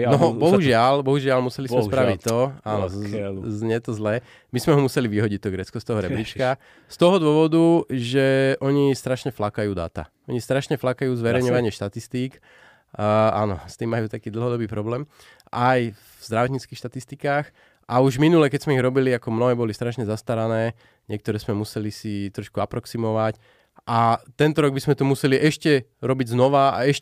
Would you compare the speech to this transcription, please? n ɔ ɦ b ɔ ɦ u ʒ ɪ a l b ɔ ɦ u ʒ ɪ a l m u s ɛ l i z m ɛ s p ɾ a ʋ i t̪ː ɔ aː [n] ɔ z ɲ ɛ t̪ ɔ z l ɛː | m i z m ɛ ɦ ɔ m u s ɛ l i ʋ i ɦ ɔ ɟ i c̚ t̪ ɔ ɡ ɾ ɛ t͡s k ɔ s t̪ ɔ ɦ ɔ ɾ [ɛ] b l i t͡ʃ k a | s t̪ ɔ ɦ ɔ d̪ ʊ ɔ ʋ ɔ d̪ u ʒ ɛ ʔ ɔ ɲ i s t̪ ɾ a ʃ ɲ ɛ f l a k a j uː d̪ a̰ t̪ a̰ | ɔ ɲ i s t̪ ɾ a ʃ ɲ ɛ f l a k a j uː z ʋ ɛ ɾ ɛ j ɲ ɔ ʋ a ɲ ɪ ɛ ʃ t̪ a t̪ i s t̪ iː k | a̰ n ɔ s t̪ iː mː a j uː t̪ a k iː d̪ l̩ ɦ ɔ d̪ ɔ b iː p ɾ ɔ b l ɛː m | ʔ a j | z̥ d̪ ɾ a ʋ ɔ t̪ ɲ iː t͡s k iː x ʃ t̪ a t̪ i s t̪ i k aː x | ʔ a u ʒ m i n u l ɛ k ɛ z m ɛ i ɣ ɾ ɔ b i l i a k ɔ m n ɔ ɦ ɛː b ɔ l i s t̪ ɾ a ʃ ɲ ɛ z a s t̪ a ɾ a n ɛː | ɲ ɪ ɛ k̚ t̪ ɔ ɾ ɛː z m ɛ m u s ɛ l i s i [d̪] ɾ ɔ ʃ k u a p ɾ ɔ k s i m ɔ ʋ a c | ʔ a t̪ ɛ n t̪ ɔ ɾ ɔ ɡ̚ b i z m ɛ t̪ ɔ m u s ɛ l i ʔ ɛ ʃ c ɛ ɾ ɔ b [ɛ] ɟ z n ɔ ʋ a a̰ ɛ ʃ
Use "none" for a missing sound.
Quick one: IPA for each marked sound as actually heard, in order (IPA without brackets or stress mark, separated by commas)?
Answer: n, ɛ, t̪, i